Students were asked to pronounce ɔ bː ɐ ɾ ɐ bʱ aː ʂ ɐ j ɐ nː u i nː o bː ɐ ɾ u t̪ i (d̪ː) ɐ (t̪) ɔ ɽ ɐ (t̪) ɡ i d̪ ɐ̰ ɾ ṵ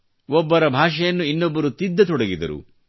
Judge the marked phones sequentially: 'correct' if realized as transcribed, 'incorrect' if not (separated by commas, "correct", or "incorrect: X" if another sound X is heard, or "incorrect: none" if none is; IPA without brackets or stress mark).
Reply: correct, correct, incorrect: none